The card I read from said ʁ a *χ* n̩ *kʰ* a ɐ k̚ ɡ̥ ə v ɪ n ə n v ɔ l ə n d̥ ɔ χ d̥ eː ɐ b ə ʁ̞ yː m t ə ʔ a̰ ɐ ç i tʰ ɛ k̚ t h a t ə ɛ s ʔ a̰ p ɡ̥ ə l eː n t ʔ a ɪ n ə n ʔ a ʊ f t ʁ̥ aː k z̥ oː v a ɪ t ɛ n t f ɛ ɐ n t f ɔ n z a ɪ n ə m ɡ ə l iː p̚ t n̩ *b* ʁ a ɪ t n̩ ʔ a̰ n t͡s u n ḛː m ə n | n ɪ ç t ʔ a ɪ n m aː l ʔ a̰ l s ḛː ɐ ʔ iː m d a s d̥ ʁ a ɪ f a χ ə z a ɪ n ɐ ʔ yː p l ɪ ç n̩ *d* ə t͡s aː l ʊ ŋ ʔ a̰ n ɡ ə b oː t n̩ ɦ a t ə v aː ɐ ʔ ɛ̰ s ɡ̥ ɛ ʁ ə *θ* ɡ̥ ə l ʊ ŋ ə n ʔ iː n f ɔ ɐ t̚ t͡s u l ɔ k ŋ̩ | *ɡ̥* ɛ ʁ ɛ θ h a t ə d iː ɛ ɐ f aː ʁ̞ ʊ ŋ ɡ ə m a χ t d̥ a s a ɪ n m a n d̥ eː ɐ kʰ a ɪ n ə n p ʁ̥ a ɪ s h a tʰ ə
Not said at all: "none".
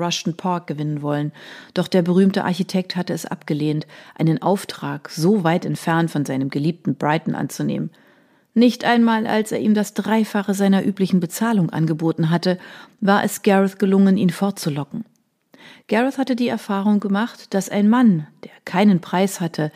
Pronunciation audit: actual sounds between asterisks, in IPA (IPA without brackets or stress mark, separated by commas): ʃ, pʰ, b, b, θ, ɡ̥